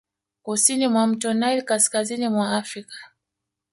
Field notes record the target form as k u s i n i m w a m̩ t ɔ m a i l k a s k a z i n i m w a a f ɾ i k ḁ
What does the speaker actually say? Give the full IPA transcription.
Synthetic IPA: k u s i n i m w a m̩ t ɔ n a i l k a s k a z i n i m w a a f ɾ i k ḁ

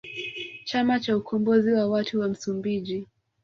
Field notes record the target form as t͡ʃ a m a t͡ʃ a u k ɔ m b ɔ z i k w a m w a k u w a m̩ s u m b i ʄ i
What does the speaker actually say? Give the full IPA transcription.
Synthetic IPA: t͡ʃ a m a t͡ʃ a u k ɔ m b ɔ z i w a w a t u w a m̩ s u m b i ʄ i

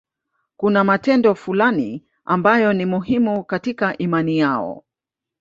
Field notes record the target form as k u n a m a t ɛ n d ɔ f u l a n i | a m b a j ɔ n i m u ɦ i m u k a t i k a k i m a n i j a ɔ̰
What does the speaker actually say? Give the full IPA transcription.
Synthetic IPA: k u n a m a t ɛ n d ɔ f u l a n i | a m b a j ɔ n i m u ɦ i m u k a t i k a ʔ i m a n i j a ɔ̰

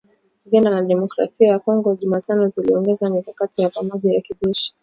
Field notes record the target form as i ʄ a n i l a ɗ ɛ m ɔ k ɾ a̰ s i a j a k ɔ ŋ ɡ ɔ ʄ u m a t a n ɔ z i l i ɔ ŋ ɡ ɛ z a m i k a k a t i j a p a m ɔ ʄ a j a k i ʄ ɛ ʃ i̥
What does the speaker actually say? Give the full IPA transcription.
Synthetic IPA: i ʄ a n a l a ɗ ɛ m ɔ k ɾ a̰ s i a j a k ɔ ŋ ɡ ɔ ʄ u m a t a n ɔ z i l i ɔ ŋ ɡ ɛ z a m i k a k a t i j a p a m ɔ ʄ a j a k i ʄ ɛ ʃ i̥

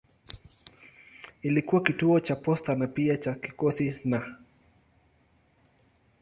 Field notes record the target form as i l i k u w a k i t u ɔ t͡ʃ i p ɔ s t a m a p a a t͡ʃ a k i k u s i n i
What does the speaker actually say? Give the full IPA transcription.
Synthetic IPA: i l i k u w a k i t u ɔ t͡ʃ a p ɔ s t a n a p i a t͡ʃ a k i k ɔ s i n a

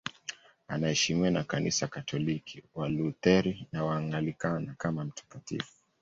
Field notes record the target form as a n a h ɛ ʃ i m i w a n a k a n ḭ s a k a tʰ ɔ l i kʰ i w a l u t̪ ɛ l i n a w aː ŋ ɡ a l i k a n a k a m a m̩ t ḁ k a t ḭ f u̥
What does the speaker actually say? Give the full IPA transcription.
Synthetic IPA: a n a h ɛ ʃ i m i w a n a k a n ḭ s a k a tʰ ɔ l i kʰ i w a l u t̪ ɛ ɾ i n a w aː ŋ ɡ a l i k a n a k a m a m̩ t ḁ k a t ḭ f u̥

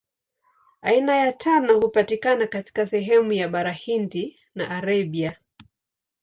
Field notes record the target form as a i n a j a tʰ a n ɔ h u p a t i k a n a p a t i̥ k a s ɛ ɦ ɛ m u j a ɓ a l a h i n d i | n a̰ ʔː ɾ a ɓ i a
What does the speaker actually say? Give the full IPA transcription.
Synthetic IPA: a i n a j a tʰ a n ɔ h u p a t i k a n a k a t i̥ k a s ɛ ɦ ɛ m u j a ɓ a ɾ a h i n d i | n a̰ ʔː ɾ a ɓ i a

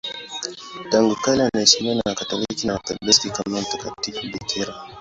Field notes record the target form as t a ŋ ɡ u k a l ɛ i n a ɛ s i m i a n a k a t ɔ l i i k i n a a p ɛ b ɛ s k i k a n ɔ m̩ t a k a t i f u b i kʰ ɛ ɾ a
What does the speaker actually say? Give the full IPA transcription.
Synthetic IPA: t a ŋ ɡ u k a l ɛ a n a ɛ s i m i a n a k a t ɔ l i i k i n a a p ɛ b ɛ s k i k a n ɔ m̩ t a k a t i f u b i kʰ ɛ ɾ a

